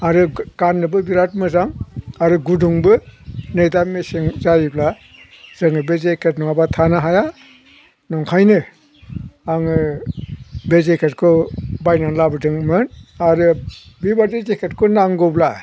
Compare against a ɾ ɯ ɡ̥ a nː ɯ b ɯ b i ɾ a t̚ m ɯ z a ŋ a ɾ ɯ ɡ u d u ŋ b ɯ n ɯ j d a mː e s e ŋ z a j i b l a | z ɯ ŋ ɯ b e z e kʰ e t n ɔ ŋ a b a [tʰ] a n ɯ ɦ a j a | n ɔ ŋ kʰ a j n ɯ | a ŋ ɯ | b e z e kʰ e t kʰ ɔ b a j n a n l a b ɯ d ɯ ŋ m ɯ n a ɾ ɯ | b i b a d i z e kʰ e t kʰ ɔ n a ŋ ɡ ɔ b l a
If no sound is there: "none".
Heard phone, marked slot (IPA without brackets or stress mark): tʰ